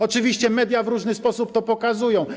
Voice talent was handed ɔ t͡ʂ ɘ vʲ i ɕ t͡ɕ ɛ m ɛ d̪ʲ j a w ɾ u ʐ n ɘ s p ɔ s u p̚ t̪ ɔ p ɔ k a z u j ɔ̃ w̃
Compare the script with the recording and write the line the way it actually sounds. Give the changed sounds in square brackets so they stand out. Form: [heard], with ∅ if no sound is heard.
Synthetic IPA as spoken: ɔ t͡ʂ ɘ vʲ i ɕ t͡ɕ ɛ m ɛ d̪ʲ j a [v] ɾ u ʐ n ɘ s p ɔ s u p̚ t̪ ɔ p ɔ k a z u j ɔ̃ w̃